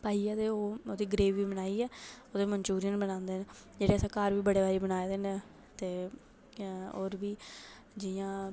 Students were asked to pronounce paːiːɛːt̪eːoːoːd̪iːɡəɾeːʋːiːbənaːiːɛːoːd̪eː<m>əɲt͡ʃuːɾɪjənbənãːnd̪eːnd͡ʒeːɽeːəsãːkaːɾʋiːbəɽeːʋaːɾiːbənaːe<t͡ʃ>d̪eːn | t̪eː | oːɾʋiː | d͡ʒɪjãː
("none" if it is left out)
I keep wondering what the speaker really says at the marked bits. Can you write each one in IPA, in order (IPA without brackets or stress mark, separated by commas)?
m, none